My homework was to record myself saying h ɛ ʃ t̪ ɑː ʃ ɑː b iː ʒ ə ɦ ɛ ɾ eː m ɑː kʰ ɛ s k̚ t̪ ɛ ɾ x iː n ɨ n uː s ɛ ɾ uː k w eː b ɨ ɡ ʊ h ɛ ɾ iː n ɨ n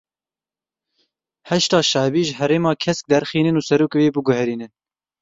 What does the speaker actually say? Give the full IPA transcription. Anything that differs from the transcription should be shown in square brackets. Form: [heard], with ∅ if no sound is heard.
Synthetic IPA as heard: h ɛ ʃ t̪ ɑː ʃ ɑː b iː ʒ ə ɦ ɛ ɾ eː m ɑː kʰ ɛ s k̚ [d̪] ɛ ɾ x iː n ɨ n uː s ɛ ɾ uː k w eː b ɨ ɡ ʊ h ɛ ɾ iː n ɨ n